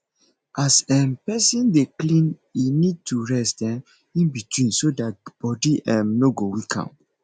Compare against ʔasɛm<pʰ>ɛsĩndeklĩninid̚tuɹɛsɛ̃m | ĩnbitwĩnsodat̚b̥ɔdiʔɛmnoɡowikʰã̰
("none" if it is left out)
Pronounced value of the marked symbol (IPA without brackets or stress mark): p